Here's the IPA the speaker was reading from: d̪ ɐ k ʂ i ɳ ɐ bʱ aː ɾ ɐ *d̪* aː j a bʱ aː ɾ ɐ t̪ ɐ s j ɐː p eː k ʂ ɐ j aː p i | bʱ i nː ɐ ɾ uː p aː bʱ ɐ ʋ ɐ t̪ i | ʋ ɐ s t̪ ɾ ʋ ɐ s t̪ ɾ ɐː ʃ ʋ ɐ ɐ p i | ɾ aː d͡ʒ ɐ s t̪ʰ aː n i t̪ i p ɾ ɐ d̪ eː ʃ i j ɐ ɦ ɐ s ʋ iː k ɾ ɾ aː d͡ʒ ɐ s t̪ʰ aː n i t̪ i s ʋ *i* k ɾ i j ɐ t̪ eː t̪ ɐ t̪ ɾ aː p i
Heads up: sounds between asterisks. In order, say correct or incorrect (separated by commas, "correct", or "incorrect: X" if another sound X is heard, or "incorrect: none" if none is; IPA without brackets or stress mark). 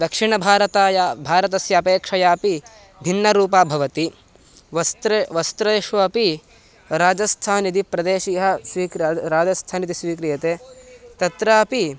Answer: incorrect: t̪, incorrect: iː